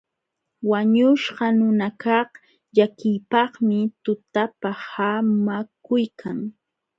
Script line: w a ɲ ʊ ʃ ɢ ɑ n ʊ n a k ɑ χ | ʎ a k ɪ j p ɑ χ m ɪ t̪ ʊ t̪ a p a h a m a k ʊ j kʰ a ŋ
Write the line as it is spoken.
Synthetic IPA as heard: w a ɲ ʊ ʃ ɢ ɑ n ʊ n a k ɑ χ | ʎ a k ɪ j p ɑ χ m ɪ t̪ ʊ t̪ a p a h a m a k ʊ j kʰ a ŋ